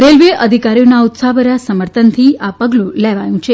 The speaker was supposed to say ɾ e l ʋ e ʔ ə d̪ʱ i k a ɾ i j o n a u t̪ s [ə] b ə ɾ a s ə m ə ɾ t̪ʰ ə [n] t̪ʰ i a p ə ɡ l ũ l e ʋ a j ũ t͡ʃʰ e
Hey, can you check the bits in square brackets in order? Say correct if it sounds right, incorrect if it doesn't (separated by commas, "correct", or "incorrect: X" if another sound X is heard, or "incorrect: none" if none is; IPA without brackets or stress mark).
incorrect: a, correct